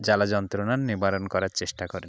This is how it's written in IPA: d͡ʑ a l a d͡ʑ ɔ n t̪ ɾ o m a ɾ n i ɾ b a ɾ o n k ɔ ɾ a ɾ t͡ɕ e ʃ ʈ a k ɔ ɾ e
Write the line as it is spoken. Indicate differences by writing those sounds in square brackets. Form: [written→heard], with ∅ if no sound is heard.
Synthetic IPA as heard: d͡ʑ a l a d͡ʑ ɔ n t̪ ɾ o [m→n] a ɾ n i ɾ b a ɾ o n k ɔ ɾ a ɾ t͡ɕ e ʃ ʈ a k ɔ ɾ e